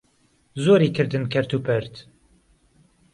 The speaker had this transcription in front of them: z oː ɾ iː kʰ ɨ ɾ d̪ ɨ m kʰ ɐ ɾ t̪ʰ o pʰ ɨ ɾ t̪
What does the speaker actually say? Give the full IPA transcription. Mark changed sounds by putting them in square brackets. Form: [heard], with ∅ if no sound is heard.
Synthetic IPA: z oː ɾ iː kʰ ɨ ɾ d̪ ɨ [n] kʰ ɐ ɾ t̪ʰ [u] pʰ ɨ ɾ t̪